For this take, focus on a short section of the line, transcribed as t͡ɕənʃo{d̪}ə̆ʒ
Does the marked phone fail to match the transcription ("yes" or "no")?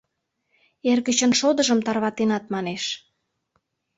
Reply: no